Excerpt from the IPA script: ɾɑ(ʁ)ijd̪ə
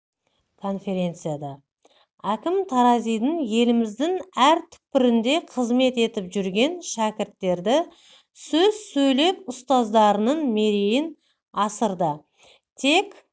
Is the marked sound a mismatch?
yes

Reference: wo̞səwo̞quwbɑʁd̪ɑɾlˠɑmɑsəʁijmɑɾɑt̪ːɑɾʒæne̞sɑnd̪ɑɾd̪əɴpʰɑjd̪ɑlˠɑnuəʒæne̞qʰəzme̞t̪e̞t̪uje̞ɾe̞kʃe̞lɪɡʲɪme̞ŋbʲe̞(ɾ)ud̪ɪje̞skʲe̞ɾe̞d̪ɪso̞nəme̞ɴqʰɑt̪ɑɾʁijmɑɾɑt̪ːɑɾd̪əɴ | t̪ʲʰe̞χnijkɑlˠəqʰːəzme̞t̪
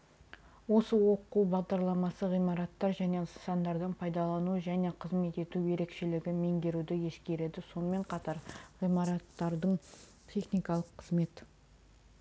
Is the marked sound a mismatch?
no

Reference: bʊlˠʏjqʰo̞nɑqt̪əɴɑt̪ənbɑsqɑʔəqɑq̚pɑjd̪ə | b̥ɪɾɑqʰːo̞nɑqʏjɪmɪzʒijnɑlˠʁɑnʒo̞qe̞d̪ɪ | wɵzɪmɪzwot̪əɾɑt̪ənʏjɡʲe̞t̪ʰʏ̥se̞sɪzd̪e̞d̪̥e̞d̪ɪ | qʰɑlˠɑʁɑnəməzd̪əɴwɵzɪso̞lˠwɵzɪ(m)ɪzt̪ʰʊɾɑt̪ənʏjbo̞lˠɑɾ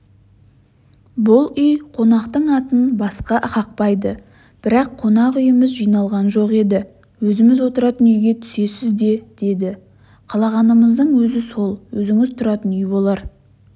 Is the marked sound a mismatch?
yes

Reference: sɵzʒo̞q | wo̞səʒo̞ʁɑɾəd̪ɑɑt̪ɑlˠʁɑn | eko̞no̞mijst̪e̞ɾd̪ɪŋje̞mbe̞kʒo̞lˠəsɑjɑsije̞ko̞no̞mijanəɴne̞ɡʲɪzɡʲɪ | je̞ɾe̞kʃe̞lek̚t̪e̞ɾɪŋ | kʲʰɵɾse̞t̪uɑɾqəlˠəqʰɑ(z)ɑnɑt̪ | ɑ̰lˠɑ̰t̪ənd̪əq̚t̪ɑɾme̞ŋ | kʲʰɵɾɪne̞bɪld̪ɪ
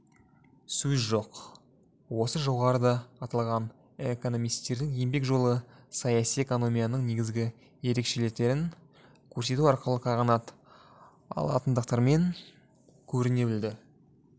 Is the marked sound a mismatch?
yes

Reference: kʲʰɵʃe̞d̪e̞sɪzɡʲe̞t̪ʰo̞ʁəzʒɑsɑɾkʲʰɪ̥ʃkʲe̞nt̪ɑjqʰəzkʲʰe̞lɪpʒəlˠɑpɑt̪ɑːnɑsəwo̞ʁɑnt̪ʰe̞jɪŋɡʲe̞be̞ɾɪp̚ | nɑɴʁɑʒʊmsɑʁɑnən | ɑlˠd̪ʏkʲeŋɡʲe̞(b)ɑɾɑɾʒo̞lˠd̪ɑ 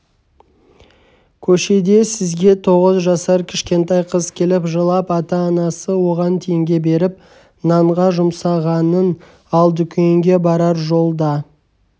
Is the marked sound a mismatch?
no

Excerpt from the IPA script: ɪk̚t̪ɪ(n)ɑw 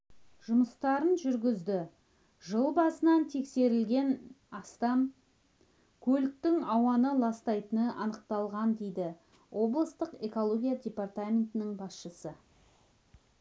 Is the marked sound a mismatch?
yes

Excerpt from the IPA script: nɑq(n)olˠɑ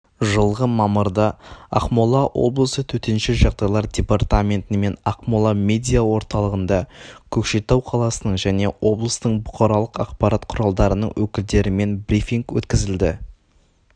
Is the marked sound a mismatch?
yes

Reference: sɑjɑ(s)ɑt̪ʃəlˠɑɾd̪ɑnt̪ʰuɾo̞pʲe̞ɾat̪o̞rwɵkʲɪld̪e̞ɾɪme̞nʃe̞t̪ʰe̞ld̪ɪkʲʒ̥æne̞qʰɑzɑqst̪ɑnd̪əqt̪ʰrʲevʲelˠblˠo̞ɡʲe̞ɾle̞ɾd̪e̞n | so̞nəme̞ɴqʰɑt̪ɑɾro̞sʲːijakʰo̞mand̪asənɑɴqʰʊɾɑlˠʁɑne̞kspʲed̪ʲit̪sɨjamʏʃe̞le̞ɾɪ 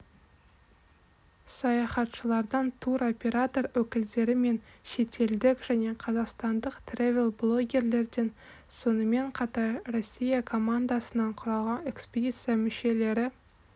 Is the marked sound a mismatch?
yes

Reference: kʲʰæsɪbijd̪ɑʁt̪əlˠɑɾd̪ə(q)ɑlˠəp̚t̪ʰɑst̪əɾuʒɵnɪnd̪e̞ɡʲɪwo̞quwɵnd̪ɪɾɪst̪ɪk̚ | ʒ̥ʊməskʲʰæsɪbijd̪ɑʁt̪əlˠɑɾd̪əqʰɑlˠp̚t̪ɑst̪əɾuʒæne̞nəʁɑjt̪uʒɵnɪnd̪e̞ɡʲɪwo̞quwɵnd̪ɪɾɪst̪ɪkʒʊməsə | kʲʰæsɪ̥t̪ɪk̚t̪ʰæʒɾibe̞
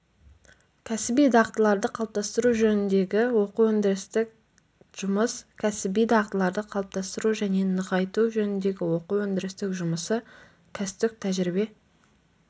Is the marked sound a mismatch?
yes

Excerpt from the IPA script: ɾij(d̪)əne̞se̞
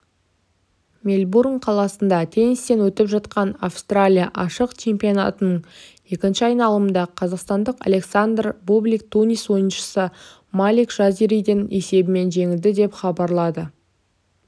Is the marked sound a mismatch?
no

